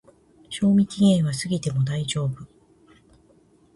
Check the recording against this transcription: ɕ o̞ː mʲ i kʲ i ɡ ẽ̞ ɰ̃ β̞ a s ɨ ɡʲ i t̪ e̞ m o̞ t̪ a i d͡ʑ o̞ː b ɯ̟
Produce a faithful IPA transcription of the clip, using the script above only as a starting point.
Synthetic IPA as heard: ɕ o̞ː mʲ i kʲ i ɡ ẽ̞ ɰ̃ β̞ a s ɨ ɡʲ i t̪ e̞ m o̞ d̪ a i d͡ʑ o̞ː b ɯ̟